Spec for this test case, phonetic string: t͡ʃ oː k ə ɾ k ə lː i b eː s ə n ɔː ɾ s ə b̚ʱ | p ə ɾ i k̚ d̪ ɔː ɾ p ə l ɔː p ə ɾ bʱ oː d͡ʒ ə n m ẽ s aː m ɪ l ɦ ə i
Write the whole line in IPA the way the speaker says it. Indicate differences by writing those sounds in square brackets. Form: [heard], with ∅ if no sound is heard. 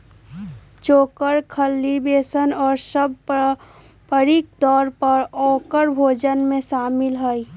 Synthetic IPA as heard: t͡ʃ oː k ə ɾ [kʰ] ə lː i b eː s ə n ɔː ɾ s ə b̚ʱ | p ə ɾ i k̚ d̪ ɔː ɾ p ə [ɾ] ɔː [k] ə ɾ bʱ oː d͡ʒ ə n m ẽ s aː m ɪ l ɦ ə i